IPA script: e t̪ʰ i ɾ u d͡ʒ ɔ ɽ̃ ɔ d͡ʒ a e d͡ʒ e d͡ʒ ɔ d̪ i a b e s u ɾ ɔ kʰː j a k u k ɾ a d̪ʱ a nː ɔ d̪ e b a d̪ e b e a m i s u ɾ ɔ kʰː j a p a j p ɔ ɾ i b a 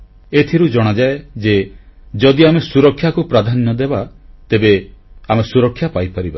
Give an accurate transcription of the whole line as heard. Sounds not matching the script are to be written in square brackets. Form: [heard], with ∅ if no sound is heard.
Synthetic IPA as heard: e t̪ʰ i ɾ u d͡ʒ ɔ ɽ̃ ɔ d͡ʒ a e d͡ʒ e d͡ʒ ɔ d̪ i a [m] e s u ɾ ɔ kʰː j a k u [p] ɾ a d̪ʱ a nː ɔ d̪ e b a [t̪] e b e a m [e] s u ɾ ɔ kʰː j a p a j p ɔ ɾ i b a

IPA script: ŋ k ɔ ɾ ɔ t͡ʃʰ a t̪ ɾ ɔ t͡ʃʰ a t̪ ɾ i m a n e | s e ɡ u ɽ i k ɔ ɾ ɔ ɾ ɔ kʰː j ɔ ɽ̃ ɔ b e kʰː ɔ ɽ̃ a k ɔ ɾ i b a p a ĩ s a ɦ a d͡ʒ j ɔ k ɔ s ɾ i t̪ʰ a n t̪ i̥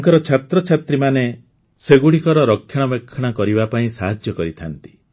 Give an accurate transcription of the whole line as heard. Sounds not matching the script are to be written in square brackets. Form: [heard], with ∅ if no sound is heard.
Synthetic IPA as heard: ŋ k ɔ ɾ ɔ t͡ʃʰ a t̪ ɾ ɔ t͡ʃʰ a t̪ ɾ i m a n e | s e ɡ u ɽ i k ɔ ɾ ɔ ɾ ɔ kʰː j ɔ ɽ̃ ɔ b e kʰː ɔ ɽ̃ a k ɔ ɾ i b a p a ĩ s a ɦ a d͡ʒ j ɔ k ɔ [∅] ɾ i t̪ʰ a n t̪ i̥

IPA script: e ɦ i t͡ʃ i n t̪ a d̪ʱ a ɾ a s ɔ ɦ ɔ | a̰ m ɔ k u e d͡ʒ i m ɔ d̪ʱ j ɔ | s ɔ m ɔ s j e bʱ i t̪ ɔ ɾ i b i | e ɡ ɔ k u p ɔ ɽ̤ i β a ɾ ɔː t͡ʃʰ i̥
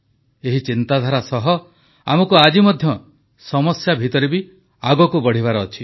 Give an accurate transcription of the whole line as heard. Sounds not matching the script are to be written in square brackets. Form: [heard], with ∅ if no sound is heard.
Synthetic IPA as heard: e ɦ i t͡ʃ i n t̪ a d̪ʱ a ɾ a s ɔ ɦ ɔ | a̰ m ɔ k u [a] d͡ʒ i m ɔ d̪ʱ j ɔ | s ɔ m ɔ s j [a] bʱ i t̪ ɔ ɾ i b i | [a] ɡ ɔ k u [b] ɔ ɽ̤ i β a ɾ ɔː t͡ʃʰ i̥

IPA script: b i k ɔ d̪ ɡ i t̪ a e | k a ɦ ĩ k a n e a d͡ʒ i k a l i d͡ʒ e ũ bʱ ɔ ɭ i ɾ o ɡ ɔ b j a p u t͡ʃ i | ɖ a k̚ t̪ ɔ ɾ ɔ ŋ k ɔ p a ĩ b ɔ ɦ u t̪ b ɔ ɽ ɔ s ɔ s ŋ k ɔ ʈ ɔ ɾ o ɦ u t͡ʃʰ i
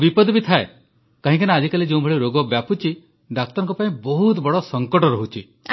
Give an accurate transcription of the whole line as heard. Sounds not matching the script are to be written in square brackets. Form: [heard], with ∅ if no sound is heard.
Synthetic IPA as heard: b i [p] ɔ d̪ [b] i [t̪ʰ] a e | k a ɦ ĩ k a n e a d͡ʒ i k a l i d͡ʒ e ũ bʱ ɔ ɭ i ɾ o ɡ ɔ b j a p u t͡ʃ i | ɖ a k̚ t̪ ɔ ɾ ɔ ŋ k ɔ p a ĩ b ɔ ɦ u t̪ b ɔ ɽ ɔ s ɔ [∅] ŋ k ɔ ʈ ɔ ɾ [ɔ] ɦ u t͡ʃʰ i

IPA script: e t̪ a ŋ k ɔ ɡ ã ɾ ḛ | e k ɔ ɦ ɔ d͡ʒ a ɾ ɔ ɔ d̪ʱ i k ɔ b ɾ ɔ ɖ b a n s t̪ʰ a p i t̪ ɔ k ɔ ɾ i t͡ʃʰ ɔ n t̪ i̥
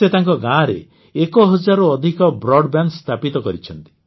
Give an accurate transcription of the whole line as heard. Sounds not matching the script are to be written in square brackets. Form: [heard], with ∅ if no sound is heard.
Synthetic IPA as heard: e t̪ a ŋ k ɔ ɡ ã ɾ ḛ | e k ɔ ɦ ɔ d͡ʒ a ɾ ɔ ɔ d̪ʱ i k ɔ b ɾ ɔ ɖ b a n s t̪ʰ a p i t̪ ɔ k ɔ ɾ i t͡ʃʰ ɔ n t̪ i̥

